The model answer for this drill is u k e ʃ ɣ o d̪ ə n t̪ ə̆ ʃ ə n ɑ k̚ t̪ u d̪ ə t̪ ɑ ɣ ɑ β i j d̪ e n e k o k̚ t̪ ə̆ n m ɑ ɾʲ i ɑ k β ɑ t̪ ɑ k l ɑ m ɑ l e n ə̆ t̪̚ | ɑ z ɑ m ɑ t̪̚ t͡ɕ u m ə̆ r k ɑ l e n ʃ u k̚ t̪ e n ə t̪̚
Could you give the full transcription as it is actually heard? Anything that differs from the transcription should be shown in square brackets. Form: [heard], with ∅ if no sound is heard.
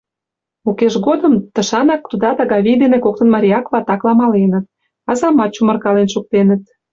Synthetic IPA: u k e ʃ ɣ o d̪ ə [m] t̪ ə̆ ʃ [ɑ] n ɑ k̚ t̪ u d̪ [ɑ] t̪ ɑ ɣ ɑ β i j d̪ e n e k o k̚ t̪ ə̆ n m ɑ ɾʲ i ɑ k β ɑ t̪ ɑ k l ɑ m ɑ l e n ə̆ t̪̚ | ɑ z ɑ m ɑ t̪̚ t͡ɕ u m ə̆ r k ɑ l e n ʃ u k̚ t̪ e n ə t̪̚